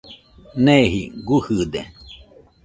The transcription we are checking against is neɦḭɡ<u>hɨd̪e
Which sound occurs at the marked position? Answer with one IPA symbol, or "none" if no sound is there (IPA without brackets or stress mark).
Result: u